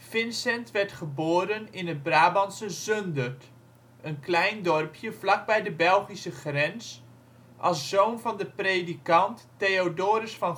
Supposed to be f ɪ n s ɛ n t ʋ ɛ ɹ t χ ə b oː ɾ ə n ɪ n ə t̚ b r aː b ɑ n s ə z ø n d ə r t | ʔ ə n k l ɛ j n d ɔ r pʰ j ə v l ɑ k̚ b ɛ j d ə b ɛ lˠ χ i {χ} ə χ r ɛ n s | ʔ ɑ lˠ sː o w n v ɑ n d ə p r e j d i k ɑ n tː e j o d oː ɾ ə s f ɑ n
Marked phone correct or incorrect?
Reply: incorrect